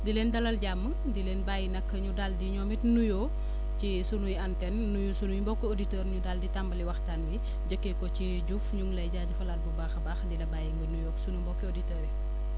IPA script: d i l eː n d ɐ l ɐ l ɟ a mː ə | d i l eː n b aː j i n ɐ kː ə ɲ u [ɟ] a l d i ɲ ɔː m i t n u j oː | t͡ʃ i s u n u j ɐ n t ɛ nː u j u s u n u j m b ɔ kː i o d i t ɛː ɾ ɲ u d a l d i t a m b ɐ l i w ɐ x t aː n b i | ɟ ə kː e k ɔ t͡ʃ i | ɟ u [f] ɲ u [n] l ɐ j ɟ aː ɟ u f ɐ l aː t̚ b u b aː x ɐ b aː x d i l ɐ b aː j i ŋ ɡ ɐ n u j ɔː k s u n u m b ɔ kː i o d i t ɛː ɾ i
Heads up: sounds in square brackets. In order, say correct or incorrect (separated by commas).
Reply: incorrect, correct, incorrect